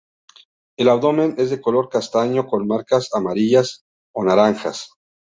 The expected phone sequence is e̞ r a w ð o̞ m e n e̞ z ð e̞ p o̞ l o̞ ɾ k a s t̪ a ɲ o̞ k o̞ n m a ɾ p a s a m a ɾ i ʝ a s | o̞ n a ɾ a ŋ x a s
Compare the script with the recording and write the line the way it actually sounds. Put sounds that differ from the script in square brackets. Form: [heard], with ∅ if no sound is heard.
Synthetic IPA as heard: e̞ [l] a w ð o̞ m e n e̞ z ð e̞ [k] o̞ l o̞ ɾ k a s t̪ a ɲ o̞ k o̞ n m a ɾ [k] a s a m a ɾ i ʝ a s | o̞ n a ɾ a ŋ x a s